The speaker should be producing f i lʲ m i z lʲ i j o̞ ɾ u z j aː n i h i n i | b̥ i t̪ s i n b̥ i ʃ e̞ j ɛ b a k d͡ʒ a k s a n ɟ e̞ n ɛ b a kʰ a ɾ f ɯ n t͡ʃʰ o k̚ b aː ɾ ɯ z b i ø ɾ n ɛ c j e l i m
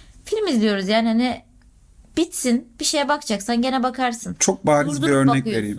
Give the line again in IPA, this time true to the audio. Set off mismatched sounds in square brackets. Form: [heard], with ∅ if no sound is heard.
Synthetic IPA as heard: f i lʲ m i z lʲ i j o̞ ɾ u z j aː n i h [a] n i | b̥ i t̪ s i n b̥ i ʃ e̞ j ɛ b a k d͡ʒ a k s a n ɟ e̞ n ɛ b a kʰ a ɾ [s] ɯ n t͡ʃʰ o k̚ b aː ɾ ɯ z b i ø ɾ n ɛ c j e [ɾ] i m